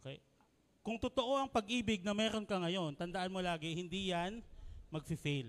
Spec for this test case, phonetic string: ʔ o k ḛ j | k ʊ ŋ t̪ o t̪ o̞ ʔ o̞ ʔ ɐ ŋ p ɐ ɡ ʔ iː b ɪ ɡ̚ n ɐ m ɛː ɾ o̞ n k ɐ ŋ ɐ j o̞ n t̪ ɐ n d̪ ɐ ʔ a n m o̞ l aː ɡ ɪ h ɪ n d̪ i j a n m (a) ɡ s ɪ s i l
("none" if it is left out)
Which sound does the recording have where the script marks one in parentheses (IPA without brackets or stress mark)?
ɐ